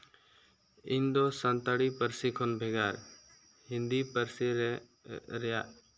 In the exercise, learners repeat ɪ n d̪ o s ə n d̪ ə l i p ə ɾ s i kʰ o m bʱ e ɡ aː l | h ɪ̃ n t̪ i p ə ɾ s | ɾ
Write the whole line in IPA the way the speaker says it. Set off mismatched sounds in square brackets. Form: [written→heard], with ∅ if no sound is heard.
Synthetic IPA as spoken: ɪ n d̪ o s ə n [d̪→t̪] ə [l→ɽ] i p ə ɾ s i kʰ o [m→n] bʱ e ɡ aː [l→ɾ] | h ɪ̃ n [t̪→d̪] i p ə ɾ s | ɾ